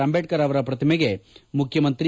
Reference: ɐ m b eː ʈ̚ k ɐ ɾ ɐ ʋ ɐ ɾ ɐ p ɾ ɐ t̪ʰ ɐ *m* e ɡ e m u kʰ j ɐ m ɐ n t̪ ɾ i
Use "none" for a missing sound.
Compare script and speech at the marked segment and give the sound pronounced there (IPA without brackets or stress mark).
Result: m